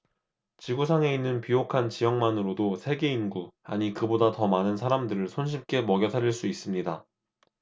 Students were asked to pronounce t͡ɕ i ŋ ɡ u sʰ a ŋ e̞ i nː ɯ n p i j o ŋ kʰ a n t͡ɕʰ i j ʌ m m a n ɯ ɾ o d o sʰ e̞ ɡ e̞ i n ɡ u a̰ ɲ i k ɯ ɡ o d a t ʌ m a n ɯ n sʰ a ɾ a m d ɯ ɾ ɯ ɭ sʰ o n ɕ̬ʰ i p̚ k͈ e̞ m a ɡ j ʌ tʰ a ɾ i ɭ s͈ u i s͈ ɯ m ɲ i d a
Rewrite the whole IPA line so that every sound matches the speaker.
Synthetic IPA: t͡ɕ i ɡ u sʰ a ŋ e̞ i nː ɯ n p i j o kʰ a n t͡ɕ i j ʌ ŋ m a n ɯ ɾ o d o sʰ e̞ ɡ e̞ i n ɡ u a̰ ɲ i k ɯ b o d a t ʌ m a n ɯ n sʰ a ɾ a m d ɯ ɾ ɯ ɭ sʰ o n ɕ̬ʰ i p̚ k͈ e̞ m ʌ ɡ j ʌ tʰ a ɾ i ɭ s͈ u i s͈ ɯ m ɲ i d a